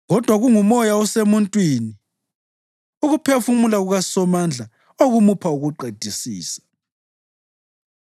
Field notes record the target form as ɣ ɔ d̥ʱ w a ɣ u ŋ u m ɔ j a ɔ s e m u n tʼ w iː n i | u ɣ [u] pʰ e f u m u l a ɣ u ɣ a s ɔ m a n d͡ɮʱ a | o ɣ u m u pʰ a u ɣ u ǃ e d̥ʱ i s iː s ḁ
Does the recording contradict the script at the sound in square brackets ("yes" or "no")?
no